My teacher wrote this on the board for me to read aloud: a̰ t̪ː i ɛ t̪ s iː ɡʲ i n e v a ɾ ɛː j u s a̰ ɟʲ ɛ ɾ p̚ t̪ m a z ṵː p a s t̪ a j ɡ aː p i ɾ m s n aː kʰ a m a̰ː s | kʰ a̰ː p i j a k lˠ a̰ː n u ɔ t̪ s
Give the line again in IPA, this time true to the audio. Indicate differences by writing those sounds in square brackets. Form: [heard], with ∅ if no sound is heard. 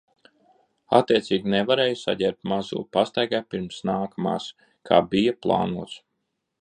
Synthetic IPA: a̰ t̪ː i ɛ t̪ s iː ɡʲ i n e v a ɾ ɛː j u s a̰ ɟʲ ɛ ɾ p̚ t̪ m a z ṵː p a s t̪ a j ɡ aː p i ɾ m s n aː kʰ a m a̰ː s | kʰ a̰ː [b] i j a [p] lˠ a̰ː n u ɔ t̪ s